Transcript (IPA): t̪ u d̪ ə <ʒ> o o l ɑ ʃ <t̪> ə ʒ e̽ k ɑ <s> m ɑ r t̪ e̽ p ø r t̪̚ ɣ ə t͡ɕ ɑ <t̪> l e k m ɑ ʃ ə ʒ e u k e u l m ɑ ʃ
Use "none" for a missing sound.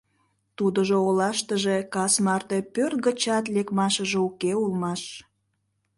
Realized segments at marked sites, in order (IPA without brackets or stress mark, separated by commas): ʒ, t̪, s, t̪